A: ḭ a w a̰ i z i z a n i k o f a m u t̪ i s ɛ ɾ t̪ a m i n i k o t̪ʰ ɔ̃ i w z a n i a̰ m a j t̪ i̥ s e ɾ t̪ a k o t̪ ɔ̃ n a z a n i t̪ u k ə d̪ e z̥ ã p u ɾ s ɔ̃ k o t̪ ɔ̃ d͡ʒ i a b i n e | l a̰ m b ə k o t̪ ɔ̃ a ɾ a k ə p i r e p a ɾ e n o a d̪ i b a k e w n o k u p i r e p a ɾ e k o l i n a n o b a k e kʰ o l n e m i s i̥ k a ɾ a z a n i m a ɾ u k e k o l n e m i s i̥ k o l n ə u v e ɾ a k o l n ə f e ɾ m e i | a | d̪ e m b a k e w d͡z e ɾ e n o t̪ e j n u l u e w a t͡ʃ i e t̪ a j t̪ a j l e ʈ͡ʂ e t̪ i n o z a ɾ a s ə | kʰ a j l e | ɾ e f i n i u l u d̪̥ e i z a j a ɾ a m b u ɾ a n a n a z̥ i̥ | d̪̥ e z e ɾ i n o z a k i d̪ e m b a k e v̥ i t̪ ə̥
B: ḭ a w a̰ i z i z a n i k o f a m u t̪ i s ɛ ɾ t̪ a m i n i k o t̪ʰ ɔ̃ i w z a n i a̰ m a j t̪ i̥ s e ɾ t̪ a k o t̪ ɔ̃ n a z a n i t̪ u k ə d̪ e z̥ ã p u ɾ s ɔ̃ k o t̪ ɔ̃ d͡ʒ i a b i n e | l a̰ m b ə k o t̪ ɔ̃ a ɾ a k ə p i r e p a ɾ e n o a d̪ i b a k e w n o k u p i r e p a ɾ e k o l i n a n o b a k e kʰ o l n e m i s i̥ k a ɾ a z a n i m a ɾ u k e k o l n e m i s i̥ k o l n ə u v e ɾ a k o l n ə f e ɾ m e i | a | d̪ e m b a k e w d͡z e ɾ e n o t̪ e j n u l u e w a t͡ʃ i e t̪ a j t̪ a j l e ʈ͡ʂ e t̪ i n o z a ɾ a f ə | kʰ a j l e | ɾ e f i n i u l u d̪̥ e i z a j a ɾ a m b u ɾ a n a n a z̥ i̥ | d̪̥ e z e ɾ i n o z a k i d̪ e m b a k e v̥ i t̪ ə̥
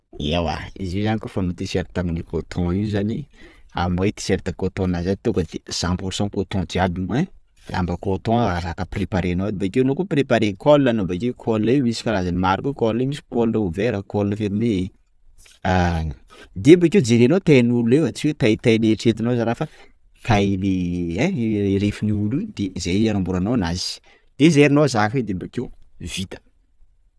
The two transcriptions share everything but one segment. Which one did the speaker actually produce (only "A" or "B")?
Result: B